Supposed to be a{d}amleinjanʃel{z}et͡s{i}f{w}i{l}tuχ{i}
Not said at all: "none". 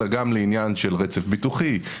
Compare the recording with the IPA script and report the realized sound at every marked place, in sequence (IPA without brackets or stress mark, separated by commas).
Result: ɡ, ʁ, e, b, none, i